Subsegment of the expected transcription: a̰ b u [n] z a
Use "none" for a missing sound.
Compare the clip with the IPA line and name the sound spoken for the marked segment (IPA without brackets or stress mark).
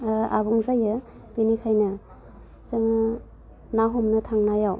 ŋ